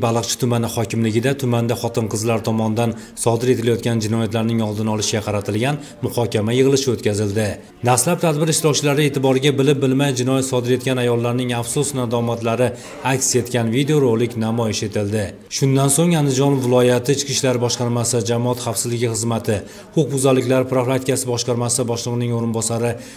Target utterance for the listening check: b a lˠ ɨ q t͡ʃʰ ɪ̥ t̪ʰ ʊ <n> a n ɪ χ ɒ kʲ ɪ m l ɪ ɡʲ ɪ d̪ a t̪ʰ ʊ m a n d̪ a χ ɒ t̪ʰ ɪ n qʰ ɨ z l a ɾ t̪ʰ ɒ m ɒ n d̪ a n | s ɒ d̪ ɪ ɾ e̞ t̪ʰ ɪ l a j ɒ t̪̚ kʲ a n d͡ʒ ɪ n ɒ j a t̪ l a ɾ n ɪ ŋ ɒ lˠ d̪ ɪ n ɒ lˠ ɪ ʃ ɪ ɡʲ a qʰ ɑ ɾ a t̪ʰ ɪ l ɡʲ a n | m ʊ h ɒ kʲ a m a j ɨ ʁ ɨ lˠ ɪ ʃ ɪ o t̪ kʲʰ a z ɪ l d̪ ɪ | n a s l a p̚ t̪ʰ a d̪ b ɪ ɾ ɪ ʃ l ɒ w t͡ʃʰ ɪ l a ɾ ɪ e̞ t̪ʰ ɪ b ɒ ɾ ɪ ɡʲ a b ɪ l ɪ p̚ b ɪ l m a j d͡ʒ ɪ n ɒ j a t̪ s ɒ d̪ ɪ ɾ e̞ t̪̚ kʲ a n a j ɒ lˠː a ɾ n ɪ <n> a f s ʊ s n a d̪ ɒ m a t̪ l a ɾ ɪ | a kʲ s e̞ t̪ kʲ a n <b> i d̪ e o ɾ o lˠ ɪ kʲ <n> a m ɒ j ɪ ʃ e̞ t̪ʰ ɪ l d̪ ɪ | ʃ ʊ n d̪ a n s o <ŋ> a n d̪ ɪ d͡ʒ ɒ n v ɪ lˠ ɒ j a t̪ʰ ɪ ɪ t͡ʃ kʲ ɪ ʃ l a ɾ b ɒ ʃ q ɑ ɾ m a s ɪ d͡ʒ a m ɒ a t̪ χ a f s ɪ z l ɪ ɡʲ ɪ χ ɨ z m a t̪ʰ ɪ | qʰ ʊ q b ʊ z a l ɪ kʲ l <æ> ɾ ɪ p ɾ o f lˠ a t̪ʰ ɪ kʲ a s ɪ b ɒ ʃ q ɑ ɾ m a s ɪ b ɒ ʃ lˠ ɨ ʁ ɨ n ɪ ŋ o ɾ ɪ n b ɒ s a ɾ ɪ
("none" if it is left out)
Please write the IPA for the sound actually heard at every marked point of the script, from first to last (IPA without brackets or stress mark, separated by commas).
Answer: m, ŋ, v, n, ŋ, a